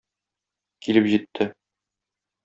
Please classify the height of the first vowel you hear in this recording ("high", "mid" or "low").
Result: high